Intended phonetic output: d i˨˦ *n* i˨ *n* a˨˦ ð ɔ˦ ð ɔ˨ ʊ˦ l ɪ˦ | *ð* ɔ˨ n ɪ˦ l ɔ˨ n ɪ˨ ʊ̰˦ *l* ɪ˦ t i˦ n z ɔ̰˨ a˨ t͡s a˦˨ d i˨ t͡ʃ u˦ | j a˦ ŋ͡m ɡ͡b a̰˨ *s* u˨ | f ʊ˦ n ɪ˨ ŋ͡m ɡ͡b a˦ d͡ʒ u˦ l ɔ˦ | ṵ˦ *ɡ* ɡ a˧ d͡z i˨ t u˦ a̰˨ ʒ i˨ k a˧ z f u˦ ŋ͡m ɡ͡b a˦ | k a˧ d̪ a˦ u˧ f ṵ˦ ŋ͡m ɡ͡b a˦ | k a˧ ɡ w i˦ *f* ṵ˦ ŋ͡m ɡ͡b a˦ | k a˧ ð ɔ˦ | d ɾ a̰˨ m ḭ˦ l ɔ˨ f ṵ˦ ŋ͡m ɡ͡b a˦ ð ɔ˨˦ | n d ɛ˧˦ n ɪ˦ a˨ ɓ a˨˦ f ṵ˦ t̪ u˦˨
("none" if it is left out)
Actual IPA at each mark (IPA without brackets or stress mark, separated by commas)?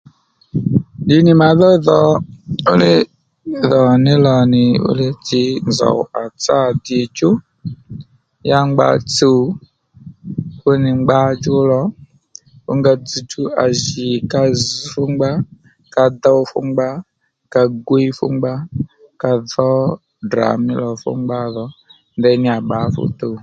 n, m, ð, l, t͡s, ŋ, f